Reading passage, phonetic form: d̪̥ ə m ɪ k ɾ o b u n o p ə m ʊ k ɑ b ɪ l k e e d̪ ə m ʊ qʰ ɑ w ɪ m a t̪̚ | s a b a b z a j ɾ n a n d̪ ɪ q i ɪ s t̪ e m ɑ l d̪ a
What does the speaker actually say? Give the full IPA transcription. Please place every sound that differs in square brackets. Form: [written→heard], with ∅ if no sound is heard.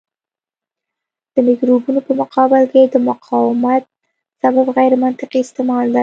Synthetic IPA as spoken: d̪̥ ə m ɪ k ɾ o b u n o p ə m ʊ [k→q] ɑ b ɪ l k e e d̪ ə m ʊ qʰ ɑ w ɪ m a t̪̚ | s a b a b [z→ɣ] a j ɾ [n→m] a n [d̪→t̪] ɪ q i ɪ s t̪ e m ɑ l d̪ a